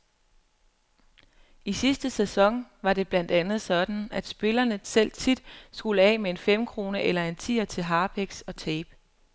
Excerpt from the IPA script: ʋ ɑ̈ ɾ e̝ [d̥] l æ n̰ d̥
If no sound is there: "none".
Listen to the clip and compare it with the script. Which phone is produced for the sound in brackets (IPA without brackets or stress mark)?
b̥